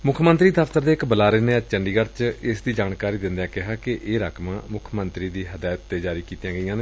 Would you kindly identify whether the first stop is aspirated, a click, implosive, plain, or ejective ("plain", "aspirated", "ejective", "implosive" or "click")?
aspirated